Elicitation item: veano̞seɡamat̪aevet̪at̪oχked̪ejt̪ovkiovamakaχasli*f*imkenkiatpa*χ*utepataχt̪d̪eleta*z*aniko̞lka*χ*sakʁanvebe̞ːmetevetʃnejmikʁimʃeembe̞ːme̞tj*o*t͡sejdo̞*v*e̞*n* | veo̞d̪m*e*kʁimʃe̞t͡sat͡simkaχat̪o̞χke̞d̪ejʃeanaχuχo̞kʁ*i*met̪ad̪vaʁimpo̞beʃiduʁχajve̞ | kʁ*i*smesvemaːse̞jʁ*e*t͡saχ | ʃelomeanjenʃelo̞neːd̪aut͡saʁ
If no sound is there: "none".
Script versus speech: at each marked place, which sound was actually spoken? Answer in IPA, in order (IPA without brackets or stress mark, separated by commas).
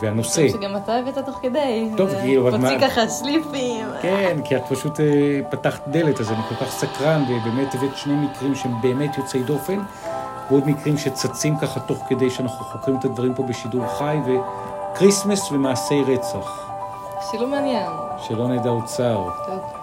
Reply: f, ʃ, z, χ, o, f, n, i, i, i, e